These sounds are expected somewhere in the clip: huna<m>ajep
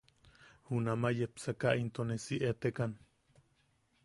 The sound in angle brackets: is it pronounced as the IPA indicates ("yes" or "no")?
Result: yes